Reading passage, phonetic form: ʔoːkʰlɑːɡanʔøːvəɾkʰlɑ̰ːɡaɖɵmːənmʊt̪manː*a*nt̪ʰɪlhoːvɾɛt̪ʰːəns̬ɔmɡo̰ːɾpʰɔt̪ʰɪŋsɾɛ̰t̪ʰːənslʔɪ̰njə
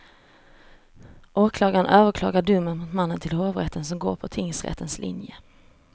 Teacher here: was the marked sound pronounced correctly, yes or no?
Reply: no